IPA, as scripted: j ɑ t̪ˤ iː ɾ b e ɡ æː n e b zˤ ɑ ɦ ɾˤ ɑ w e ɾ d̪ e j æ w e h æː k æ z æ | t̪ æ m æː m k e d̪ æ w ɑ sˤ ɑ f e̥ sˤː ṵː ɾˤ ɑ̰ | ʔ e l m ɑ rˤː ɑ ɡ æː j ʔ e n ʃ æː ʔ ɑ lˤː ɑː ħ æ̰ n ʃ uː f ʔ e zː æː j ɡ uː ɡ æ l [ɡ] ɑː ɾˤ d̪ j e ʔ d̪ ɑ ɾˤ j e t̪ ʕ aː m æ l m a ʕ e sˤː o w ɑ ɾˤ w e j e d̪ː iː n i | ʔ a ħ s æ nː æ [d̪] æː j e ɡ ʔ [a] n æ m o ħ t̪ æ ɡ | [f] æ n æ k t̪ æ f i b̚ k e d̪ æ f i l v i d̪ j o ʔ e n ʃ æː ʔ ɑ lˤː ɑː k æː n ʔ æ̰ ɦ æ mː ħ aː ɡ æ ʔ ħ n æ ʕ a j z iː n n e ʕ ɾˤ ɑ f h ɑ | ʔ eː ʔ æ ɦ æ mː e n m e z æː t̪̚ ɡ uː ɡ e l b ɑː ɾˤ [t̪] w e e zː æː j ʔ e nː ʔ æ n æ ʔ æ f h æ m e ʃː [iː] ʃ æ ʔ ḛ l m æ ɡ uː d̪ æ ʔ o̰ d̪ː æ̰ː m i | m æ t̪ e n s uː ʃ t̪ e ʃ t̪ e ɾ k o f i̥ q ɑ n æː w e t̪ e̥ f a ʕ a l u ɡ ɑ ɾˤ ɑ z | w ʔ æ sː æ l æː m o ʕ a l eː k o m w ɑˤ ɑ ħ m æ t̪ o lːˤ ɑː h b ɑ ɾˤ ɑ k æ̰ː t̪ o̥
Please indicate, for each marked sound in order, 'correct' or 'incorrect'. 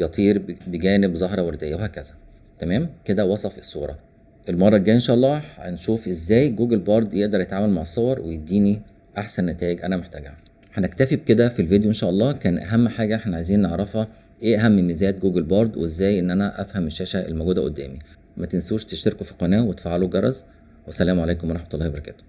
incorrect: b, incorrect: t̪, incorrect: æ, incorrect: ħ, incorrect: d̪, incorrect: æː

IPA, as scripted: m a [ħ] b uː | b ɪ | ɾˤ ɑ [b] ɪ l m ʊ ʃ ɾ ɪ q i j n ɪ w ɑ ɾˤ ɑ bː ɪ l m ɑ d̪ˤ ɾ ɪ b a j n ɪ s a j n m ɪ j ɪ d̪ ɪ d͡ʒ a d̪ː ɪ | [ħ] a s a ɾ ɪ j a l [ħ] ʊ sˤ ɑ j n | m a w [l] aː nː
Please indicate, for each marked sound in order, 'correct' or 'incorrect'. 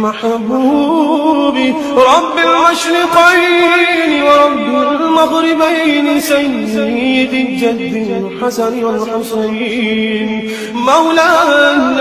correct, incorrect: bː, correct, correct, correct

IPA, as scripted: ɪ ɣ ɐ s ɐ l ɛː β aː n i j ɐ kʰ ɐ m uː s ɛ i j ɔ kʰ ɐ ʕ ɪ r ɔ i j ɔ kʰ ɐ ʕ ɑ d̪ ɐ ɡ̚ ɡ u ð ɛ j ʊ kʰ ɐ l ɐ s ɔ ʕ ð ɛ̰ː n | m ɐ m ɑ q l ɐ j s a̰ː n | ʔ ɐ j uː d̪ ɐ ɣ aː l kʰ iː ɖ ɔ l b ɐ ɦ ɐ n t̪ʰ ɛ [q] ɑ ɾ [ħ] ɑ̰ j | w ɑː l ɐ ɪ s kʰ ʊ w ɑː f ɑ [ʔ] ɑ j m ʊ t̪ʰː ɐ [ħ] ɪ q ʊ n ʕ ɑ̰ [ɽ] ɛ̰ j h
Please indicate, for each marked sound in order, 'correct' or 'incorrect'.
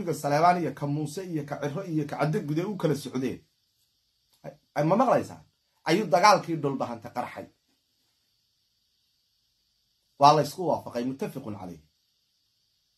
correct, correct, incorrect: q, incorrect: f, incorrect: l

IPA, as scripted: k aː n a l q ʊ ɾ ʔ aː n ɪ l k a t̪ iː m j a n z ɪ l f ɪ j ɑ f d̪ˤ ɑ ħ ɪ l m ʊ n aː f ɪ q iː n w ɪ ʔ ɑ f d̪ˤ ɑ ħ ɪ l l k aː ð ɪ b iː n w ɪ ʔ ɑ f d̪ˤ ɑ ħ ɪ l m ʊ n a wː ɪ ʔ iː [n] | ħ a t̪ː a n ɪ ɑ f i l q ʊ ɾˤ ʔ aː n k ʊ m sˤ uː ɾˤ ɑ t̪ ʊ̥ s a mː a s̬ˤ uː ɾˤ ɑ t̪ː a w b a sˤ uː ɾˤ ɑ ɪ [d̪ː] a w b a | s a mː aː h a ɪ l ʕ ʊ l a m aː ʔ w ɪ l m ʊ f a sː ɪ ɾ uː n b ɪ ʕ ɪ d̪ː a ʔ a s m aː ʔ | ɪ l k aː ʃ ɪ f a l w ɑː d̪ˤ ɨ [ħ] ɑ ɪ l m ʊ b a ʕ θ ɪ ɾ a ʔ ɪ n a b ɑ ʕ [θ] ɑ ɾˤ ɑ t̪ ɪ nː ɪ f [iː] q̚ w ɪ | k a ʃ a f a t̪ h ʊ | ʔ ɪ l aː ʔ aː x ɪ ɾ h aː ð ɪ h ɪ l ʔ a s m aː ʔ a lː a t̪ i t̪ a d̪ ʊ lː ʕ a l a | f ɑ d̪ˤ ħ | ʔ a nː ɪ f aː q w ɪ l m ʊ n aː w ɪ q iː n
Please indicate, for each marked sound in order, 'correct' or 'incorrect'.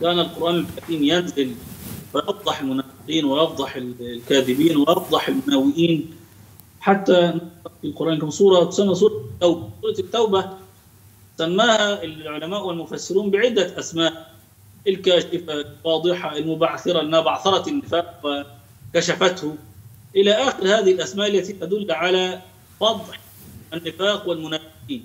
correct, incorrect: t̪ː, correct, correct, incorrect: aː

